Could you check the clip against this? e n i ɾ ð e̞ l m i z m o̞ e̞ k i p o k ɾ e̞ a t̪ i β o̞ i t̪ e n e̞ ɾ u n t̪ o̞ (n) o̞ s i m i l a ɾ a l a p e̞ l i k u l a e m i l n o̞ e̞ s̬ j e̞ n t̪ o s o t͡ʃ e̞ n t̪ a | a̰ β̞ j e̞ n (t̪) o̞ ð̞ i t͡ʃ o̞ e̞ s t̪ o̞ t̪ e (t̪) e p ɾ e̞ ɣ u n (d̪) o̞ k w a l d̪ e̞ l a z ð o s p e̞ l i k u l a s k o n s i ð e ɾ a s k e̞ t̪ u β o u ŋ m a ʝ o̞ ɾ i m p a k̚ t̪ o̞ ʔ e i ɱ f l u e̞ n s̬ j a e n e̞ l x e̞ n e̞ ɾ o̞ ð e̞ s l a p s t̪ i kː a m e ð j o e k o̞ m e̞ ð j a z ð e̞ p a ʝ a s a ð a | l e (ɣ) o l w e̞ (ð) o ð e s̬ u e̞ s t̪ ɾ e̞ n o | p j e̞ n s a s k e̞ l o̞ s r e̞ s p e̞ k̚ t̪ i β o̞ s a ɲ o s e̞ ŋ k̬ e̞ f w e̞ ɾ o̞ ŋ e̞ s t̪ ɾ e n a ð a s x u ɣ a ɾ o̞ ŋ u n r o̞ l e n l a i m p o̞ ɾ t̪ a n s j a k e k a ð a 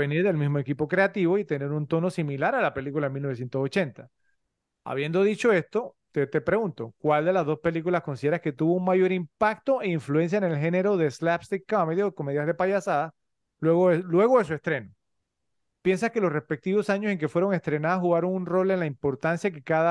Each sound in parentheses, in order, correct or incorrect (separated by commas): correct, incorrect, correct, incorrect, correct, incorrect